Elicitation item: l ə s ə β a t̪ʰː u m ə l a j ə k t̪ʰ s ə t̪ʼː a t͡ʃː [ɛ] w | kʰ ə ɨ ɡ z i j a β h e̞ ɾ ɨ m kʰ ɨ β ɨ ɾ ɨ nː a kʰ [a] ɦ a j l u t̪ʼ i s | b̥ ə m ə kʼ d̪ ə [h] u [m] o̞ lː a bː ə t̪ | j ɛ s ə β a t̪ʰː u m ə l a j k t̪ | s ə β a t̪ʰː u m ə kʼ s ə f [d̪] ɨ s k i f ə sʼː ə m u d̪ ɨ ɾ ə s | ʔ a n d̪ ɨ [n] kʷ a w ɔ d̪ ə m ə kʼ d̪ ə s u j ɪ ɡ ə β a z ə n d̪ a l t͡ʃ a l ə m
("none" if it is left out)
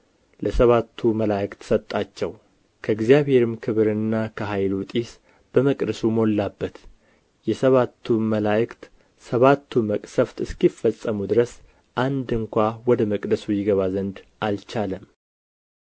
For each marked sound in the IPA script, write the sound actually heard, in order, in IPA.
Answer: ɛ, ə, s, m, t̪, ŋ

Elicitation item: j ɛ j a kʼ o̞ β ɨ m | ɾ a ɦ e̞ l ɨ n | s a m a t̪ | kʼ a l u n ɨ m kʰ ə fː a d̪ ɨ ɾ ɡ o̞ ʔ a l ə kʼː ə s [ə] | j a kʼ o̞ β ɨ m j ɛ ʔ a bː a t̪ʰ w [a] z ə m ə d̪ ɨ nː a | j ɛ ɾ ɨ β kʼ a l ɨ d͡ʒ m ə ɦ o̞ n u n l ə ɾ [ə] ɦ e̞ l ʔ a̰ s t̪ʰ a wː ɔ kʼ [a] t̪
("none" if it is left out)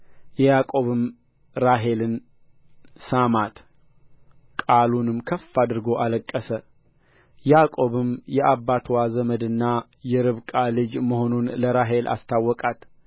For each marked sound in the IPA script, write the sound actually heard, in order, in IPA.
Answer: ə, a, a, a

